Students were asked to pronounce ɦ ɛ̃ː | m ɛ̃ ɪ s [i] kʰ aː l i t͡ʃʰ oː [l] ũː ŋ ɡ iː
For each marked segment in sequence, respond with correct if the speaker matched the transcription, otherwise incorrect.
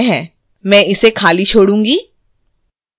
incorrect: e, incorrect: ɽ

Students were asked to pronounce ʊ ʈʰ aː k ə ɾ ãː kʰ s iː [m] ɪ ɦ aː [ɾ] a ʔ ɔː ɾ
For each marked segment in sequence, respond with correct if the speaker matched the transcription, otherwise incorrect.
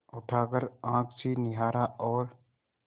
incorrect: n, correct

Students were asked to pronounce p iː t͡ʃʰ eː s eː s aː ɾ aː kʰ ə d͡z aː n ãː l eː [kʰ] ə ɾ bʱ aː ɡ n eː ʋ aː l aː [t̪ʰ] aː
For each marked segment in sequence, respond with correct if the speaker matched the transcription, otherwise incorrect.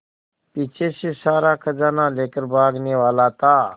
incorrect: k, incorrect: t̪

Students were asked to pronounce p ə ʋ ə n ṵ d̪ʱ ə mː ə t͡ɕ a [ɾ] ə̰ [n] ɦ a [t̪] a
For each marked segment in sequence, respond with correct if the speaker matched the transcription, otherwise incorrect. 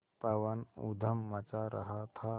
correct, incorrect: none, incorrect: t̪ʰ

